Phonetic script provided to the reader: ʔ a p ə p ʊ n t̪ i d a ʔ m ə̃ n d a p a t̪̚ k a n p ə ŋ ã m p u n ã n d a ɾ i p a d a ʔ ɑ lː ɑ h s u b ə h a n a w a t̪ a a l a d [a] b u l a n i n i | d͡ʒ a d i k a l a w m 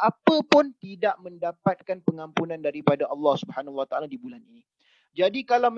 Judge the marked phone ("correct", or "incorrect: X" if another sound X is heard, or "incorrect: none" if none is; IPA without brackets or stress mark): incorrect: i